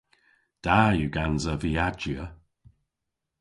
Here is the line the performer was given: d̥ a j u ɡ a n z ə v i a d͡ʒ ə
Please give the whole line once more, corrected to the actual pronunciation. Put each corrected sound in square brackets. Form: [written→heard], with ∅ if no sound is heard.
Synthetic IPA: d̥ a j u ɡ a n z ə v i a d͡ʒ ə